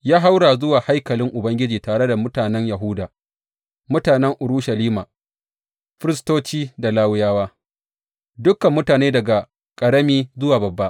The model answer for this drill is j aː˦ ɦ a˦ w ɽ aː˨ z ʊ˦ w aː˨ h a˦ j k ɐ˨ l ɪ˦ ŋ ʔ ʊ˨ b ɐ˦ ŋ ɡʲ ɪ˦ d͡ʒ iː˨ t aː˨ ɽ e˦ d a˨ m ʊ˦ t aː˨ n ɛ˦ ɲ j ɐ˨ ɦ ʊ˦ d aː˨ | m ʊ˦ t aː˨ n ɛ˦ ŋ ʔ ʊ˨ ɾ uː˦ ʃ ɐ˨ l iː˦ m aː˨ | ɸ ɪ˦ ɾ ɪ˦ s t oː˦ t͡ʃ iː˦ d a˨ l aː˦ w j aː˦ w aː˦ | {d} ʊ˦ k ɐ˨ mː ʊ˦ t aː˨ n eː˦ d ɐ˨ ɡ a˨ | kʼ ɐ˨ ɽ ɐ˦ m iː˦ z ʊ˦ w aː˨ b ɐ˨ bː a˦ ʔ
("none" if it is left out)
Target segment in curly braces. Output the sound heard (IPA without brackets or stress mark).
d